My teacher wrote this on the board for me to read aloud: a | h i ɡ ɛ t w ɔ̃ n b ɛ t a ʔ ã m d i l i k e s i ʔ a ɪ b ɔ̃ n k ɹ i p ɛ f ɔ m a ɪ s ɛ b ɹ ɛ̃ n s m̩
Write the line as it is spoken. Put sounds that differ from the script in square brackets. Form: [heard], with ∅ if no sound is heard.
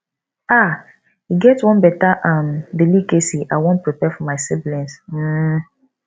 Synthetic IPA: a | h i ɡ ɛ t w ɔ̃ n b ɛ t a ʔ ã m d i l i k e s i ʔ a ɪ [w] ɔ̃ n [p] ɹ i p ɛ f ɔ m a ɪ s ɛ b [l] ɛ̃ n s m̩